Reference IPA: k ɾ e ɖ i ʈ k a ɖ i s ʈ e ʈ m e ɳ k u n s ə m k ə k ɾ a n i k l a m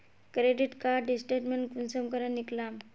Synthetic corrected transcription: k ɾ e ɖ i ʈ k a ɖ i s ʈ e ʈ m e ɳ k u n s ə m k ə ɾ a n i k l a m